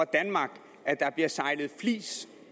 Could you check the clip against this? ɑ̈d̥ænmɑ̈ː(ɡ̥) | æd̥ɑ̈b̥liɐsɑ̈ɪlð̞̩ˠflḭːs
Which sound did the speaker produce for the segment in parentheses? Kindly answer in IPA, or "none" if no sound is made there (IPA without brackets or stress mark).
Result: ɡ̥